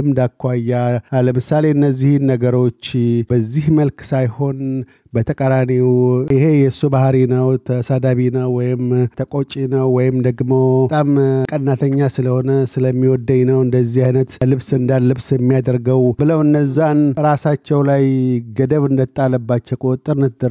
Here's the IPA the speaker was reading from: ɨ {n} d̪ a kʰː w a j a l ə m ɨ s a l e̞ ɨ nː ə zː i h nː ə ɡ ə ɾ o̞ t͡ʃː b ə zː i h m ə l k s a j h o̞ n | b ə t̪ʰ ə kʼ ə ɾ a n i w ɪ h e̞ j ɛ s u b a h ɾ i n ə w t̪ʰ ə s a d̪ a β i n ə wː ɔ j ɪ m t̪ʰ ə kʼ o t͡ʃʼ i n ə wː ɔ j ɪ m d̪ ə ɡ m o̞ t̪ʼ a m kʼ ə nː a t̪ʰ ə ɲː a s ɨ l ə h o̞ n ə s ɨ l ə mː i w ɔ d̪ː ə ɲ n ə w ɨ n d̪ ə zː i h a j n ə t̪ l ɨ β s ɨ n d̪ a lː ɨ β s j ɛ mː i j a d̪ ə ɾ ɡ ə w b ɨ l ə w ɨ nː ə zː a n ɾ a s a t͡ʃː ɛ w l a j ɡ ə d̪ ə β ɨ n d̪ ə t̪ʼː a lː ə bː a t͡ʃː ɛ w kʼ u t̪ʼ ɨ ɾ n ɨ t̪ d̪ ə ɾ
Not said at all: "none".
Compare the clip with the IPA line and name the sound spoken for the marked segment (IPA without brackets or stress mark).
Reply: m